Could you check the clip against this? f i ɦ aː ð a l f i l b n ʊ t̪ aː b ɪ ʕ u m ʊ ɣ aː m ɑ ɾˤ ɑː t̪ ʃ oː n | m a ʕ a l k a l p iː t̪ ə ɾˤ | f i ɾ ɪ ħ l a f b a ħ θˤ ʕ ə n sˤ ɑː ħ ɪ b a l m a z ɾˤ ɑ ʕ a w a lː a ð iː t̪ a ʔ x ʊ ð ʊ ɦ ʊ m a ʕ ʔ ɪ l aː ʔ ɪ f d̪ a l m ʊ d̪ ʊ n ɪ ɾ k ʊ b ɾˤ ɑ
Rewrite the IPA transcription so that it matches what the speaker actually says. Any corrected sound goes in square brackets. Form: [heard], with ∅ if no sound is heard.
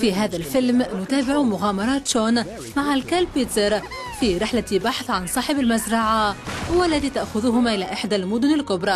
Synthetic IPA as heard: f i ɦ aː ð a l f [ɪ] l [m] n ʊ t̪ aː b ɪ ʕ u m ʊ ɣ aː m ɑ ɾˤ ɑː t̪ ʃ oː n | m a ʕ a l k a l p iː t̪ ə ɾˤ | f i ɾ ɪ ħ l a [∅] b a ħ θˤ ʕ [a] n sˤ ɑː ħ ɪ b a l m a z ɾˤ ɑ ʕ a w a lː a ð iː t̪ a ʔ x ʊ ð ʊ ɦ ʊ m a [∅] ʔ ɪ l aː ʔ ɪ [ħ] d̪ a l m ʊ d̪ ʊ n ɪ [l] k ʊ b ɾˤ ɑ